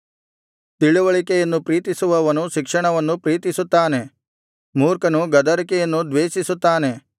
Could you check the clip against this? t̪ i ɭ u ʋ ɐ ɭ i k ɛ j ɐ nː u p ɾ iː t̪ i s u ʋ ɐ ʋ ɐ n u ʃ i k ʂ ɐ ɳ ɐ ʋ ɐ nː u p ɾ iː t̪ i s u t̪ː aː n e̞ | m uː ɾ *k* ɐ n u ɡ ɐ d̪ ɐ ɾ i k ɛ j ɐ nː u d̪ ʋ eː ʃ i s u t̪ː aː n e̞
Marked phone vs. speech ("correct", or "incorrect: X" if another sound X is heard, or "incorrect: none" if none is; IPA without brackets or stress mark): correct